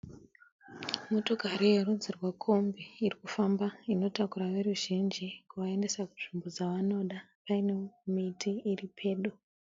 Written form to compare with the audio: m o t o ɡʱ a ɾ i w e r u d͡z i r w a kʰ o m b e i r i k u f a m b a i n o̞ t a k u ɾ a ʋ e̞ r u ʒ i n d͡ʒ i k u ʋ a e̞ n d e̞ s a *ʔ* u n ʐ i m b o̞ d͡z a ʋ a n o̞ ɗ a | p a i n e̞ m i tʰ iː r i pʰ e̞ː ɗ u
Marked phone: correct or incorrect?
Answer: incorrect